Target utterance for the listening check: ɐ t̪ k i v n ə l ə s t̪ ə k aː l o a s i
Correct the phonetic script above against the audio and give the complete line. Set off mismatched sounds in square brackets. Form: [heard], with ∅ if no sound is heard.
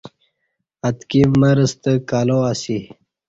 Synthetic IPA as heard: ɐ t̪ k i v [m] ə [ɾ] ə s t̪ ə k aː l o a s i

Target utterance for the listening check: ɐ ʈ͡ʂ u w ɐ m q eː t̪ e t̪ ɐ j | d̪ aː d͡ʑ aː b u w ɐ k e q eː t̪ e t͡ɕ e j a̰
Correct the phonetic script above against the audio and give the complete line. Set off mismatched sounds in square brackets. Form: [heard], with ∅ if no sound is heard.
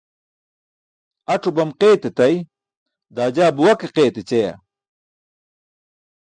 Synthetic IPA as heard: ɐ ʈ͡ʂ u [b] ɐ m q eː t̪ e t̪ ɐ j | d̪ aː d͡ʑ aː b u w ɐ k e q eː t̪ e t͡ɕ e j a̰

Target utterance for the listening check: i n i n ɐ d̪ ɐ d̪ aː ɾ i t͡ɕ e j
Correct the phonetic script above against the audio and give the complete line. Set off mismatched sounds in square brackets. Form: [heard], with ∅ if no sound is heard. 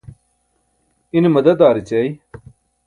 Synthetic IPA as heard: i n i [m] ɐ d̪ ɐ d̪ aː ɾ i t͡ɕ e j

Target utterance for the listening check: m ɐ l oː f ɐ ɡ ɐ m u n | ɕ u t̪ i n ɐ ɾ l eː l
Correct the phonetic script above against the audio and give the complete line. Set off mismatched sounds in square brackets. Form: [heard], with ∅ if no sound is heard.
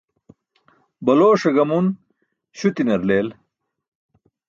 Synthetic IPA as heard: [b] ɐ l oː [ʂ] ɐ ɡ ɐ m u n | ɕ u t̪ i n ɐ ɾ l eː l

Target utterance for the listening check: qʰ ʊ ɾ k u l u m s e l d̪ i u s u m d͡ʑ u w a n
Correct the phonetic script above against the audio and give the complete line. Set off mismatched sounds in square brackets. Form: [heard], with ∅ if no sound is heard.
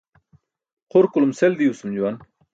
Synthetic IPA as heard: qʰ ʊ ɾ k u l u m s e l d̪ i u s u m d͡ʑ u w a n

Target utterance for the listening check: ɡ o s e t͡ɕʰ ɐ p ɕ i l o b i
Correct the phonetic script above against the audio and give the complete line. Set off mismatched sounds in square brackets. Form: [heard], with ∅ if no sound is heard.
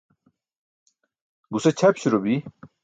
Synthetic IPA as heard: ɡ [u] s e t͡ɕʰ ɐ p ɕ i [ɾ] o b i

